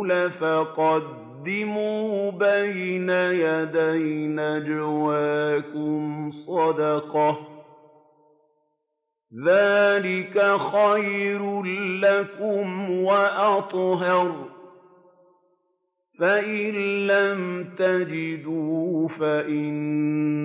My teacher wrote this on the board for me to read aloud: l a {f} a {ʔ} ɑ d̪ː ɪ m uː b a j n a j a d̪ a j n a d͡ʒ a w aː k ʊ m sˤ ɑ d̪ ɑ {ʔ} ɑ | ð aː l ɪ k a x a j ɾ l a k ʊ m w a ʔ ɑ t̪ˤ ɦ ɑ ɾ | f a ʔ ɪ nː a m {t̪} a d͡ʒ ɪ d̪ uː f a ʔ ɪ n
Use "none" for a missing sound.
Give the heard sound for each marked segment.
f, q, q, t̪

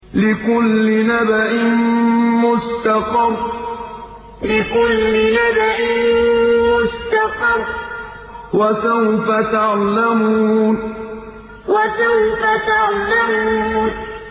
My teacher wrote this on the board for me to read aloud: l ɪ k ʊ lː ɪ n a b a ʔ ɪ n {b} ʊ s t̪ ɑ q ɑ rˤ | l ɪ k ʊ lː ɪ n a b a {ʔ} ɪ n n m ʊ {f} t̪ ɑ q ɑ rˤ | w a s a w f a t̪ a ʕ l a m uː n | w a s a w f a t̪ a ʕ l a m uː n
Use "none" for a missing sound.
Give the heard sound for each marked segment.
m, ʔ, s

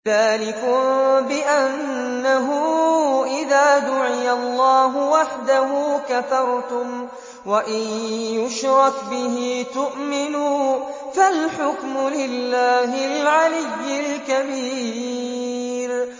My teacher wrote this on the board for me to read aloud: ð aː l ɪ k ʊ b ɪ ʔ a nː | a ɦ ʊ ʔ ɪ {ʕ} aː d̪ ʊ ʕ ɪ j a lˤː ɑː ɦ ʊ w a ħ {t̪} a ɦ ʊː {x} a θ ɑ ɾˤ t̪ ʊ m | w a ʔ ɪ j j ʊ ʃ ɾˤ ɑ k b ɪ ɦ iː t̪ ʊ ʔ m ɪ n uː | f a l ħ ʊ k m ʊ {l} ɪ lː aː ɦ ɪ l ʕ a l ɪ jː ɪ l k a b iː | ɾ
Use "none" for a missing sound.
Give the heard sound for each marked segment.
ð, d̪, k, l

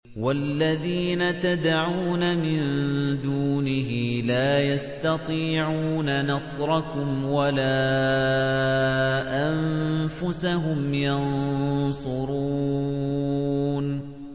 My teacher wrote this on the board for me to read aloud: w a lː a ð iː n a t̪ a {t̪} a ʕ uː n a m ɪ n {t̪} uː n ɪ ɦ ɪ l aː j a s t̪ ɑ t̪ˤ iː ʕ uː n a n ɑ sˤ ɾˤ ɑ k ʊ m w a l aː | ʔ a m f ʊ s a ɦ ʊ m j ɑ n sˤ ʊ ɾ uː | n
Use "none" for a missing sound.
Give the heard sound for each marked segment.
d̪, d̪

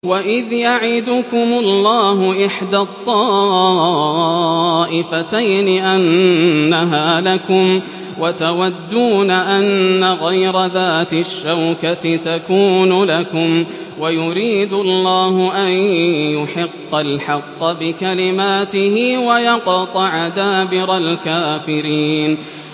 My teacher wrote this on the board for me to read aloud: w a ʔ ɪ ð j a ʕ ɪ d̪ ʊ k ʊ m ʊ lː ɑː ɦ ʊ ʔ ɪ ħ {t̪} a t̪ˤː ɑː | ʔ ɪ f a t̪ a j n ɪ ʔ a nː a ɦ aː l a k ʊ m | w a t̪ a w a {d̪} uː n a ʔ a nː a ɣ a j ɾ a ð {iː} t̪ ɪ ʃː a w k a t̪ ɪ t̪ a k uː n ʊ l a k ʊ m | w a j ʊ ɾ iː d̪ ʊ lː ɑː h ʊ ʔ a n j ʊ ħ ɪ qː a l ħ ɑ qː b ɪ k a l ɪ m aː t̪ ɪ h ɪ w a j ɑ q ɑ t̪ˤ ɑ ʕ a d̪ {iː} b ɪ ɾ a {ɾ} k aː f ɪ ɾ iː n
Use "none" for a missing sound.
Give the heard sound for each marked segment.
d̪, d̪ː, aː, aː, l

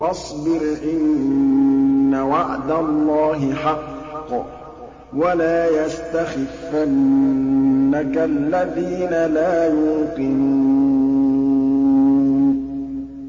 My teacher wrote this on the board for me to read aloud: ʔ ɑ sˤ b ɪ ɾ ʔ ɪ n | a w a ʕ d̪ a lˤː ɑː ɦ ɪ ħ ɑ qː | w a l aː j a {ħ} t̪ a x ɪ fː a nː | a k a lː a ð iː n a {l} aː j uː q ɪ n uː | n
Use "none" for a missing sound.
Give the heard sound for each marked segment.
s, l

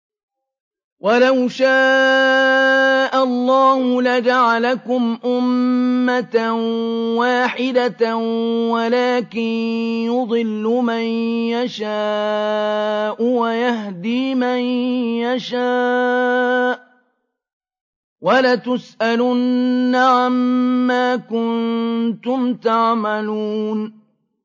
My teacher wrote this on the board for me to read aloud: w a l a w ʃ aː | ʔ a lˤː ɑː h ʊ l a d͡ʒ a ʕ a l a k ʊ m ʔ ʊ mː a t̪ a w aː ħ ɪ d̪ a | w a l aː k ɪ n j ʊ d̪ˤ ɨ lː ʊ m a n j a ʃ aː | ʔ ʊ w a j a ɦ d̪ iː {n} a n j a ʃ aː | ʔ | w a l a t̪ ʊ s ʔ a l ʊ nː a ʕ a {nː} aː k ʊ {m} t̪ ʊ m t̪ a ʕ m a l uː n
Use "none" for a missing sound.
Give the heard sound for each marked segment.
m, mː, n

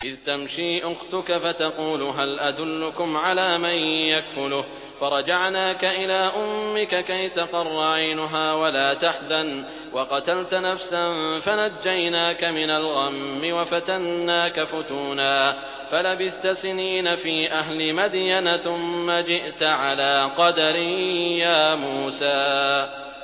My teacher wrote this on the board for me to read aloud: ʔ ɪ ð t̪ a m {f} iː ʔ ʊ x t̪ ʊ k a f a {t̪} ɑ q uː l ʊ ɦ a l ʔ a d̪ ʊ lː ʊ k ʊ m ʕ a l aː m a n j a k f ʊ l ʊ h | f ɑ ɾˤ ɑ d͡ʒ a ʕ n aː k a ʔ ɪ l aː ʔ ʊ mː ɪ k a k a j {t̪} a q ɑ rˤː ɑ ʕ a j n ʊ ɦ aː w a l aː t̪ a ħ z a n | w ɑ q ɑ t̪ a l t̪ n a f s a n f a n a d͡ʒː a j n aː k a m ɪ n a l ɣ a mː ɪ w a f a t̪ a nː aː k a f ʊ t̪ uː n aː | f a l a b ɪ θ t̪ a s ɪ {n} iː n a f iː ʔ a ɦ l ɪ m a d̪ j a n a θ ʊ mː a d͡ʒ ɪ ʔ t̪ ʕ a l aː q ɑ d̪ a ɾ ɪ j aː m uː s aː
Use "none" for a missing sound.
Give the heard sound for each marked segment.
ʃ, t̪, t̪, n

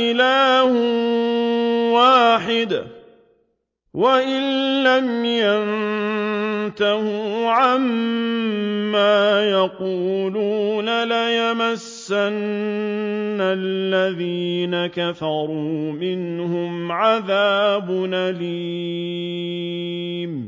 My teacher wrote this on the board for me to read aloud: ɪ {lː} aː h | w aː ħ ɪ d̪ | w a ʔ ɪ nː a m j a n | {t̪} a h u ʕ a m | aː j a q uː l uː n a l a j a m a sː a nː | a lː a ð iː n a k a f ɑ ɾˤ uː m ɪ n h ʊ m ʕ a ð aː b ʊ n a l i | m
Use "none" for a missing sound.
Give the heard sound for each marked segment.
l, t̪

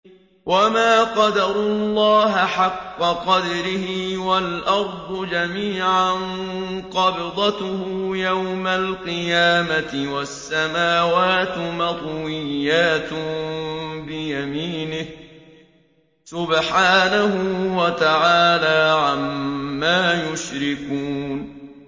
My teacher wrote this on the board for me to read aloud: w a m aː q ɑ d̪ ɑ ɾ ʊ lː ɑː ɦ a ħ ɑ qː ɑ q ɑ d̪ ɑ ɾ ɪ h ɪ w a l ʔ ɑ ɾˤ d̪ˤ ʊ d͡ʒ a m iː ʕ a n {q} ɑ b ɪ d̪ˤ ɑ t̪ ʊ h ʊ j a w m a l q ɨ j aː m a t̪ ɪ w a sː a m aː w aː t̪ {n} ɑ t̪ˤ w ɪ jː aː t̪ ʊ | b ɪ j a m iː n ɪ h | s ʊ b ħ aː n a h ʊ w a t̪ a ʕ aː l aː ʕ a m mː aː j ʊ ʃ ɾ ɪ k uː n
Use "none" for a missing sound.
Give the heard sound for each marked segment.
q, m

